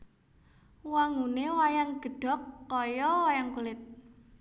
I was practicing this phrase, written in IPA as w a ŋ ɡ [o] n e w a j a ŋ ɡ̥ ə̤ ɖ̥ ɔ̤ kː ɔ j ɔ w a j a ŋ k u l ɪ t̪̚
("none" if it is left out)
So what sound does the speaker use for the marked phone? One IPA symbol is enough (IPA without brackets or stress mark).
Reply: u